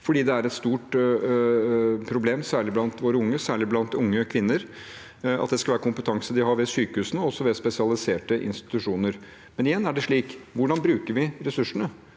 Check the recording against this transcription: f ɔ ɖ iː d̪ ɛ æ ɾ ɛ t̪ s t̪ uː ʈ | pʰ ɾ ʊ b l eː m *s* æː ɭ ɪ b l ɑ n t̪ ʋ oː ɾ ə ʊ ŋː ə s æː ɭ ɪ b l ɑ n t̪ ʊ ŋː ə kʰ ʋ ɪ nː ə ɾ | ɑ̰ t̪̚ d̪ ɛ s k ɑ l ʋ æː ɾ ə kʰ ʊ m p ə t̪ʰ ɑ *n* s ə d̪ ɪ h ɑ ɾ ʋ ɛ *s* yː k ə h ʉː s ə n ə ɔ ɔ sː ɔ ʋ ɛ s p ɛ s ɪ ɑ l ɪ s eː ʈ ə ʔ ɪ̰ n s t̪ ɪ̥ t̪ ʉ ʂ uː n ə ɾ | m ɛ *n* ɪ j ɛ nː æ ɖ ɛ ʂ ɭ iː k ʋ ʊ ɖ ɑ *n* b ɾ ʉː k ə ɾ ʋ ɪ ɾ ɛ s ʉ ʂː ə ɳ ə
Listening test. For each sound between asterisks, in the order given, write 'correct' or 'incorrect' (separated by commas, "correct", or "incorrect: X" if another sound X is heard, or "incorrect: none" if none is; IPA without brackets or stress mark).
correct, incorrect: ŋ, correct, correct, correct